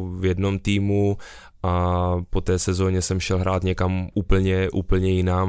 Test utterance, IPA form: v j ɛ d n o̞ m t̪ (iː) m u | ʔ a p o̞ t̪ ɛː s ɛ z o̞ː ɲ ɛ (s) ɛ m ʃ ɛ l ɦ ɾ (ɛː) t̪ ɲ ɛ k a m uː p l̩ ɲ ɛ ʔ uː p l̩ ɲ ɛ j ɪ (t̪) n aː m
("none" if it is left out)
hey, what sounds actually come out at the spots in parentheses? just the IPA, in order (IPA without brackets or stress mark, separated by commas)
iː, s, aː, none